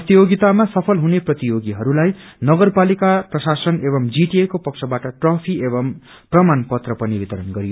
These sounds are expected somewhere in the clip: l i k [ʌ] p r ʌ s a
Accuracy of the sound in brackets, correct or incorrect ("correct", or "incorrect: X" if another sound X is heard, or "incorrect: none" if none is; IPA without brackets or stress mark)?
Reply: incorrect: a